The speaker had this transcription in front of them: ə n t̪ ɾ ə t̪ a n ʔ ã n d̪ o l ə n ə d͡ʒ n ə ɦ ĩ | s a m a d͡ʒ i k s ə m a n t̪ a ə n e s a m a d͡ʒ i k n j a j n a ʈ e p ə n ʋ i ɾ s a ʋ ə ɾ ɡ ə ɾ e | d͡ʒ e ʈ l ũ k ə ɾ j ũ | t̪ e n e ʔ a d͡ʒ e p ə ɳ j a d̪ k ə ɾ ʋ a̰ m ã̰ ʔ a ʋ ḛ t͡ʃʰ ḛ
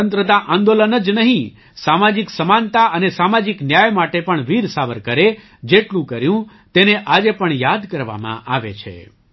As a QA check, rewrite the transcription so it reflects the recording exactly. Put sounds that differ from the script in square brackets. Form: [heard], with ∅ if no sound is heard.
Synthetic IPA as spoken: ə n t̪ ɾ ə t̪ a [∅] ʔ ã n d̪ o l ə n ə d͡ʒ n ə ɦ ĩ | s a m a d͡ʒ i k s ə m a n t̪ a ə n e s a m a d͡ʒ i k n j a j [m] a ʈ e p ə [ɳ] ʋ i ɾ s a ʋ ə ɾ [k] ə ɾ e | d͡ʒ e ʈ l ũ k ə ɾ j ũ | t̪ e n e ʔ a d͡ʒ e p ə ɳ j a d̪ k ə ɾ ʋ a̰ m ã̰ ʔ a ʋ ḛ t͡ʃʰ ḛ